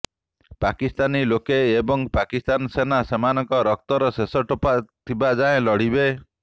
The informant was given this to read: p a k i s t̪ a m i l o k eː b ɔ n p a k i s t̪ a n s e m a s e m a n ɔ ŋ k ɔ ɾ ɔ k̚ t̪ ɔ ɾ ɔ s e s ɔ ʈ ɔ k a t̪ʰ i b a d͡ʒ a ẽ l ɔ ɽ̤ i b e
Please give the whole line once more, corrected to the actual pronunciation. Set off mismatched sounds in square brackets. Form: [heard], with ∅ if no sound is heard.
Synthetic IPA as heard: p a k i s t̪ a [n] i l o k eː b ɔ [ŋ] p a k i s t̪ a n s e [n] a s e m a n ɔ ŋ k ɔ ɾ ɔ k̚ t̪ ɔ ɾ ɔ s e s ɔ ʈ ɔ [p] a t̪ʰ i b a d͡ʒ a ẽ l ɔ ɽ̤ i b e